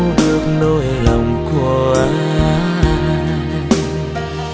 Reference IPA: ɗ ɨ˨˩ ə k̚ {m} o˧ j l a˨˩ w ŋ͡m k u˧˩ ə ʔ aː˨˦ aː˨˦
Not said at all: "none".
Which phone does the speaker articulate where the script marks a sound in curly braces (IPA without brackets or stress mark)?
n